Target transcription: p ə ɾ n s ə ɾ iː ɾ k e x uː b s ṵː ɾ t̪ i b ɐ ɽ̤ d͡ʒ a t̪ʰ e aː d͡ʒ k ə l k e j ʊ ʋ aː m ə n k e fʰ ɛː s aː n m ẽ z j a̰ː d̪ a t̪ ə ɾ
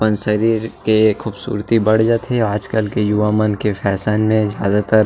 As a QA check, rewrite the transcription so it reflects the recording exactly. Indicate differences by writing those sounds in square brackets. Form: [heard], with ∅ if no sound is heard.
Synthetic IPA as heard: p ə [∅] n s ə ɾ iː ɾ k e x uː b s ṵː ɾ t̪ i b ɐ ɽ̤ d͡ʒ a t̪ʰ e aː d͡ʒ k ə l k e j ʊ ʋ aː m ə n k e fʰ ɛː s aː n m ẽ z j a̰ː d̪ a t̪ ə ɾ